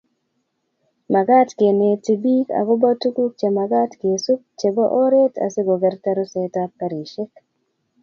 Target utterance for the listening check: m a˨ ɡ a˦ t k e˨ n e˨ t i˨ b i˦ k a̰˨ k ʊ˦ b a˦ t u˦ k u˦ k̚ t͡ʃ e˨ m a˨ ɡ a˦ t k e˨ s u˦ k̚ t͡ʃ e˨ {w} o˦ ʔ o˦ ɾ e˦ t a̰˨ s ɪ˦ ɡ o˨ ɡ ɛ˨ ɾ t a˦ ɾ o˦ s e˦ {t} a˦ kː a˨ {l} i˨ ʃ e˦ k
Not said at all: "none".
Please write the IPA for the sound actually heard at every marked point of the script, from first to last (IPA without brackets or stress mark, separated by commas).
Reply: b, t, ɾ